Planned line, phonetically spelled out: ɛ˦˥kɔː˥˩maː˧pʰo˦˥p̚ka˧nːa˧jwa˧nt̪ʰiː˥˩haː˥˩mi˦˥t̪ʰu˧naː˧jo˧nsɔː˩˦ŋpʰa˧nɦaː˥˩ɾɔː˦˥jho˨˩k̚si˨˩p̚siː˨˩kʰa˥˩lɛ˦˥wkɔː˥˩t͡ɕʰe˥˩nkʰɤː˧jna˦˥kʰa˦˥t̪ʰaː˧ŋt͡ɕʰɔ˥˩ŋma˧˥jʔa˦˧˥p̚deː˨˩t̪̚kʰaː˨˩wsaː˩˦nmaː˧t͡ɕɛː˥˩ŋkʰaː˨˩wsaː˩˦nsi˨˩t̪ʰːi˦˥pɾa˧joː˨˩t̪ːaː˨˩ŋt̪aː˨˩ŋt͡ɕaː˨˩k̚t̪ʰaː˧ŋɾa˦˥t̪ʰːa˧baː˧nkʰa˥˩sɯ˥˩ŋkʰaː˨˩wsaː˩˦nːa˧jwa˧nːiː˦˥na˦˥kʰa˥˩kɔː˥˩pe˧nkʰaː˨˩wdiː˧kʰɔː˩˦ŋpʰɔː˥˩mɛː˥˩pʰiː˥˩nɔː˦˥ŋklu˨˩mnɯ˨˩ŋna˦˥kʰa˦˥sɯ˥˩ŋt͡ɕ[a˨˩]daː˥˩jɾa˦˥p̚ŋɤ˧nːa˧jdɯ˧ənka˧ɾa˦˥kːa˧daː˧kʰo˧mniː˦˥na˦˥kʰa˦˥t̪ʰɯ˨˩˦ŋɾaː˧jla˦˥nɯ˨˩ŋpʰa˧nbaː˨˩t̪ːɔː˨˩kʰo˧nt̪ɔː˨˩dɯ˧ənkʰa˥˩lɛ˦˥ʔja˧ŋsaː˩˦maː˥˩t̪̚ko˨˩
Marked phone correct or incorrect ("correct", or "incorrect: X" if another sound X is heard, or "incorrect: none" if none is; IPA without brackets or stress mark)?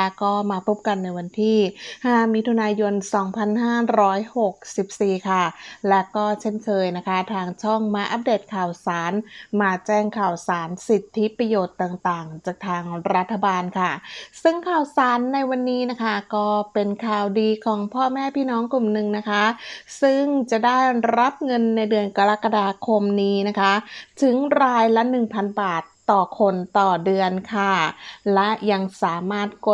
correct